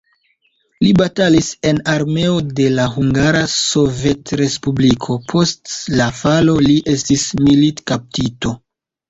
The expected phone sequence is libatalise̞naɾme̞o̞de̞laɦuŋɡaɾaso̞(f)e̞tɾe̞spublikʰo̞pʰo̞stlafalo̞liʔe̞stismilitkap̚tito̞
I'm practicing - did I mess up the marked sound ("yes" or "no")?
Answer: yes